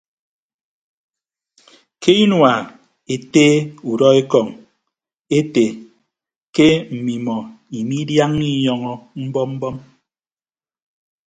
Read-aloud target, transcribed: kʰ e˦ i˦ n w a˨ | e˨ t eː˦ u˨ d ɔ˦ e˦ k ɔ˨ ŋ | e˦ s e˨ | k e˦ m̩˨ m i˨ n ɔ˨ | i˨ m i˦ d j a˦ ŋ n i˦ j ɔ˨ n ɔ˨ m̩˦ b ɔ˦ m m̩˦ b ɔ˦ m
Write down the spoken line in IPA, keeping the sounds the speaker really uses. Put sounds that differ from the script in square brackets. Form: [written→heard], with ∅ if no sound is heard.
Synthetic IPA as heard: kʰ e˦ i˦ n w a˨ | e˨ t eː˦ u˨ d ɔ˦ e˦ k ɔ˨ ŋ | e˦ [s→t] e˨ | k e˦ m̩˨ m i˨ [n→m] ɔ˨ | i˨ m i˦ d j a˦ ŋ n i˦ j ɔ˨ [n→ŋ] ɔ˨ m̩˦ b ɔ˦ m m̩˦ b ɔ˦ m